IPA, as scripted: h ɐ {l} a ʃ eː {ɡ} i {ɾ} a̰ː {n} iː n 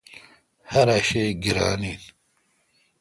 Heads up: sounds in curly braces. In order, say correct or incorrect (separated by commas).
incorrect, correct, correct, correct